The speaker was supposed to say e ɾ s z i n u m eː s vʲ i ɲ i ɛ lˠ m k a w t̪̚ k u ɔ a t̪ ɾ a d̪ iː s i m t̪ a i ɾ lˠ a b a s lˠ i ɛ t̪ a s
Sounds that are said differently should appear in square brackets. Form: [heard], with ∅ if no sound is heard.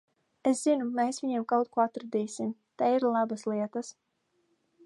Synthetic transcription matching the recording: e [∅] s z i n u m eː s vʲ i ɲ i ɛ [∅] m k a w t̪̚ k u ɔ a t̪ ɾ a d̪ iː s i m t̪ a i ɾ lˠ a b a s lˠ i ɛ t̪ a s